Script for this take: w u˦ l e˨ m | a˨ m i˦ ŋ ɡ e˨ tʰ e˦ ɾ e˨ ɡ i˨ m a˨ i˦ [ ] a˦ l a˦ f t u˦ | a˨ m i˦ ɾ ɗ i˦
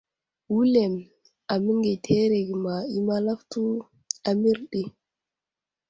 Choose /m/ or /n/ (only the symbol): m